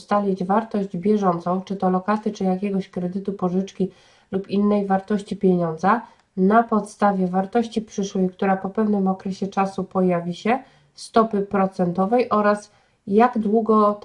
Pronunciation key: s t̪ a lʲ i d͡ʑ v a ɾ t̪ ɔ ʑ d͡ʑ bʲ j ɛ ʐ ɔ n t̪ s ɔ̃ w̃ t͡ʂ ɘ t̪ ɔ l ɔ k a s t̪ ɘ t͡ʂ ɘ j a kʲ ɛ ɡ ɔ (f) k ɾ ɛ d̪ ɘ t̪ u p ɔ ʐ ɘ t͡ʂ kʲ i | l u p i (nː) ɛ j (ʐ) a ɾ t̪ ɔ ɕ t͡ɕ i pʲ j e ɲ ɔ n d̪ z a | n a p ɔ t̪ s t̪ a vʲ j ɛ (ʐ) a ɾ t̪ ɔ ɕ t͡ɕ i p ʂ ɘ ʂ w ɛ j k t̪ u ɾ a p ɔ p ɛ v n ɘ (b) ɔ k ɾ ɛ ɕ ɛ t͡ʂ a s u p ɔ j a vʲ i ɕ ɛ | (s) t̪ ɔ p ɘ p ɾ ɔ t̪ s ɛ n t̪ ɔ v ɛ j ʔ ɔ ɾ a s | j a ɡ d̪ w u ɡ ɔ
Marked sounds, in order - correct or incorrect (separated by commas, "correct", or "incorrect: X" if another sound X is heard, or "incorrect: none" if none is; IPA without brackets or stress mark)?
incorrect: ɕ, correct, incorrect: v, incorrect: v, incorrect: m, correct